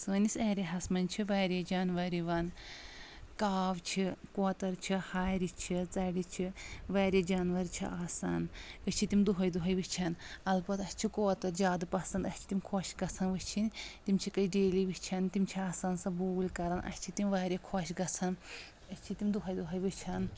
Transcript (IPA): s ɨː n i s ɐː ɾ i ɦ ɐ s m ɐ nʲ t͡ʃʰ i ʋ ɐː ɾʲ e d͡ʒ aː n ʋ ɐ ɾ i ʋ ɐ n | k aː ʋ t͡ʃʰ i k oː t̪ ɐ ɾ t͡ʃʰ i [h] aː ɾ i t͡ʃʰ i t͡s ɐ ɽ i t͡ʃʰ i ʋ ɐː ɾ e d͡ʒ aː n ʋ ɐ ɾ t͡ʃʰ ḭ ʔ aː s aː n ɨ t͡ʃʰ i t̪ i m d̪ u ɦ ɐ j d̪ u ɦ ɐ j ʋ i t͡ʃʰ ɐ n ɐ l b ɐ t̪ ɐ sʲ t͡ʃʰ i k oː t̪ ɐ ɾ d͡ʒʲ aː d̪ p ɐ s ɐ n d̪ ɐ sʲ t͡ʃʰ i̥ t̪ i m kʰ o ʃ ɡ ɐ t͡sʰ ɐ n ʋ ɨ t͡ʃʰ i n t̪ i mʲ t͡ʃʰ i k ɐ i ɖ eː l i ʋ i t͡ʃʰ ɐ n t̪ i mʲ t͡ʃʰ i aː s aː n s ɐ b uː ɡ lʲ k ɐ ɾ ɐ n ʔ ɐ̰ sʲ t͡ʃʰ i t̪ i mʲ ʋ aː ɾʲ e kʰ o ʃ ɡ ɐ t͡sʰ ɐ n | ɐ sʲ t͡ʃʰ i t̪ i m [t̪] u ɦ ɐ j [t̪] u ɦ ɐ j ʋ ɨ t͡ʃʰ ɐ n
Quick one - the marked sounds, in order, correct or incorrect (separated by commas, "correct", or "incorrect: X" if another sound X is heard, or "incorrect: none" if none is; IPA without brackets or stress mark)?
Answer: correct, incorrect: d̪, incorrect: d̪